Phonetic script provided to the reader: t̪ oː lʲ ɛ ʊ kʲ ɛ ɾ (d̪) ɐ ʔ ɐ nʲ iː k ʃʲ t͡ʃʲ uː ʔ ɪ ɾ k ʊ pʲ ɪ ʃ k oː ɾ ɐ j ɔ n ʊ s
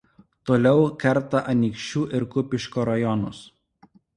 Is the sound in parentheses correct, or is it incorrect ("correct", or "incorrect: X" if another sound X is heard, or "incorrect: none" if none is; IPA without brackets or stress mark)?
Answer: incorrect: t̪